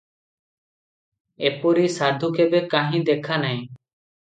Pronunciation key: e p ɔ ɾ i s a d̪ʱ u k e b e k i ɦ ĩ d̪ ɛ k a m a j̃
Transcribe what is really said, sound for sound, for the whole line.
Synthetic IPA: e p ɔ ɾ i s a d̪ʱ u k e b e k a ɦ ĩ d̪ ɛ kʰ a n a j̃